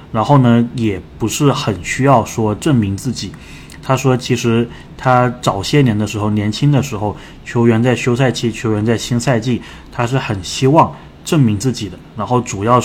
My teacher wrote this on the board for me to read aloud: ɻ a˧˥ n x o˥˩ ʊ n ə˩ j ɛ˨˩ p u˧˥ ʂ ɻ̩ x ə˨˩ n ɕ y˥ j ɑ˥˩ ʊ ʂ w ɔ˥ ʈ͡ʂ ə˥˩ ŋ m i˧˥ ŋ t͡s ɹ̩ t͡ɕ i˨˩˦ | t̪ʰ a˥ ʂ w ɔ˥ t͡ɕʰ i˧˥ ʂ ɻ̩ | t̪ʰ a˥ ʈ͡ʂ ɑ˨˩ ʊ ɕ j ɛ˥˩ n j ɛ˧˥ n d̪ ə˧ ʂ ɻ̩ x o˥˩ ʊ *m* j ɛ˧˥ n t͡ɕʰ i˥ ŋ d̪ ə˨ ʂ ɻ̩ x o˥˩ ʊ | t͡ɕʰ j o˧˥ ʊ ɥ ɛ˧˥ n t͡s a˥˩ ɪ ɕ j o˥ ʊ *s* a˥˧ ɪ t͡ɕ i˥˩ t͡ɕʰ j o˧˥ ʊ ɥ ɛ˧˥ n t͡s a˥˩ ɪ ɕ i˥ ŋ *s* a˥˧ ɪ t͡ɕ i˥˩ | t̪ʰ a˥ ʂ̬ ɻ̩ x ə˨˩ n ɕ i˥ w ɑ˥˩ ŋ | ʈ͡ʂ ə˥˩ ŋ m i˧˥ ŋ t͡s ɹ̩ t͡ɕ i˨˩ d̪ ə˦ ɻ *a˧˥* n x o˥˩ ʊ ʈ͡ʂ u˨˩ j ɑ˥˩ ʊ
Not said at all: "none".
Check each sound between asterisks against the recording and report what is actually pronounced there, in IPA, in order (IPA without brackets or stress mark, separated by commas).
n, s, s, a˧˥